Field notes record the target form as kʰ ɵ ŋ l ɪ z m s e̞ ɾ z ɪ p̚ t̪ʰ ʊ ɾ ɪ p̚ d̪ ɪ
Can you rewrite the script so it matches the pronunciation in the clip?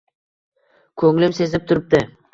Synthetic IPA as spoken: kʰ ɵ ŋ l ɪ m s e̞ z ɪ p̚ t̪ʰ ʊ ɾ ɪ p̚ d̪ ɪ